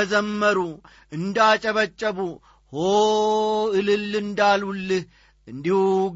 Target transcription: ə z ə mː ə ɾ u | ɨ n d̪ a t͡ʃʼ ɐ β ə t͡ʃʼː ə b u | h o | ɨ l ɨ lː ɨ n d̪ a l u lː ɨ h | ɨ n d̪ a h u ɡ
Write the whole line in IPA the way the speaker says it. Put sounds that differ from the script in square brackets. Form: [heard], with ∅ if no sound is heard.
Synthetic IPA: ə z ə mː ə ɾ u | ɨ n d̪ a t͡ʃʼ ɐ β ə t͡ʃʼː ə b u | h o | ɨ l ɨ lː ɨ n d̪ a l u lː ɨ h | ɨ n d̪ [i] h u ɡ